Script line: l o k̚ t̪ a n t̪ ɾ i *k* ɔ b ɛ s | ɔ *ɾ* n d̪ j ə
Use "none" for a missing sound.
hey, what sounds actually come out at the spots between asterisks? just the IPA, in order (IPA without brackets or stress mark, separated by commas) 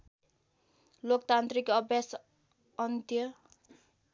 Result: k, none